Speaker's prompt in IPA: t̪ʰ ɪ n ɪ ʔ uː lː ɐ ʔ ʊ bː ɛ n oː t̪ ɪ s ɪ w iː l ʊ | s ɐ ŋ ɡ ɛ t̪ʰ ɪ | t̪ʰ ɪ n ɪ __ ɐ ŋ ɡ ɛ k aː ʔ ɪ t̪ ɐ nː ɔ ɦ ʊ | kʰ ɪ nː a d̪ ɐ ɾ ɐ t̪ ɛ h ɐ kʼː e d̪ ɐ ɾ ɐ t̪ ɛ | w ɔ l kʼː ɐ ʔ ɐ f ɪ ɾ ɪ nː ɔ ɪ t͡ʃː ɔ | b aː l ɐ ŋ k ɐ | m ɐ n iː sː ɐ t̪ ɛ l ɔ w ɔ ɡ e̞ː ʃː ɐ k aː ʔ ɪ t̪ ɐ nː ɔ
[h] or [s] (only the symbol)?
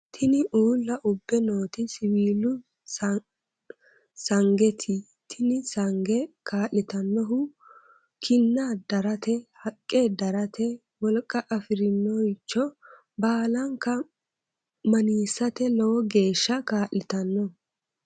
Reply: s